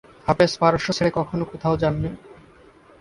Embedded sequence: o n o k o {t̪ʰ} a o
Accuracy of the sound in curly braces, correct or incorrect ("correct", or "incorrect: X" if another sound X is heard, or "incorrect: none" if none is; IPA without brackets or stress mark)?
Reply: correct